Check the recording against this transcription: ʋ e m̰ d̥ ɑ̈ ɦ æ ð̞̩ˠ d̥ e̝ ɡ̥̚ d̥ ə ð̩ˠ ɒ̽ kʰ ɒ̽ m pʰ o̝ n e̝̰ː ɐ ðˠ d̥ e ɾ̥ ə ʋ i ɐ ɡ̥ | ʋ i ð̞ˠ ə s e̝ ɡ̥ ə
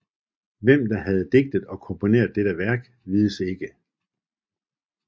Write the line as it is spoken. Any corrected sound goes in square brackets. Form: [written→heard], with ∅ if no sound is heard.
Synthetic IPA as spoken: ʋ e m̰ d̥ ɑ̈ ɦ æ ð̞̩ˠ d̥ e̝ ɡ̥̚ d̥ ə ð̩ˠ ɒ̽ kʰ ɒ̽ m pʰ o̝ n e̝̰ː ɐ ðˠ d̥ e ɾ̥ ə ʋ [i→æ] ɐ ɡ̥ | ʋ i ð̞ˠ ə s e̝ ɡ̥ ə